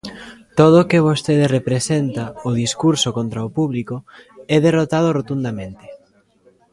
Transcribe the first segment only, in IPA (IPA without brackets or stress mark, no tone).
t̪